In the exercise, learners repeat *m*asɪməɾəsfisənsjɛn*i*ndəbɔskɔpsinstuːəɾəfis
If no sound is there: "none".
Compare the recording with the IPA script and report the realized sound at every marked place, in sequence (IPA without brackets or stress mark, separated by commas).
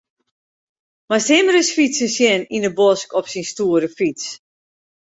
m, i